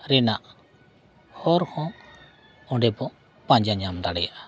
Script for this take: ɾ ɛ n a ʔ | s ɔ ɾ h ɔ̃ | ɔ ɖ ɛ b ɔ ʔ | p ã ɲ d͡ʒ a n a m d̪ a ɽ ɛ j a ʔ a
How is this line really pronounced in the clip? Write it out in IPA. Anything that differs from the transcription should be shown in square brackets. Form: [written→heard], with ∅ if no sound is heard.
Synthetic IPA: ɾ ɛ n a ʔ | [s→h] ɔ ɾ h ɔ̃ | ɔ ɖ ɛ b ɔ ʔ | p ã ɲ d͡ʒ a [n→ɲ] a m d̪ a ɽ ɛ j a ʔ a